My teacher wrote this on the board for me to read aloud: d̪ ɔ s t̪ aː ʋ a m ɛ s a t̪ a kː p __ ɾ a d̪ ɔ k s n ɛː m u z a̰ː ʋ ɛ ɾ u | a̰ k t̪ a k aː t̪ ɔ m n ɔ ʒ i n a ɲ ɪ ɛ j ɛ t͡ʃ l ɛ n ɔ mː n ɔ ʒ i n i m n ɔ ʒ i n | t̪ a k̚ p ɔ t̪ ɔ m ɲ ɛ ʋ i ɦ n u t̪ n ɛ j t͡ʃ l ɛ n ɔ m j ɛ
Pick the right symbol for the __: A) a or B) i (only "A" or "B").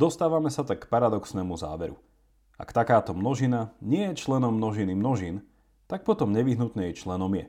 A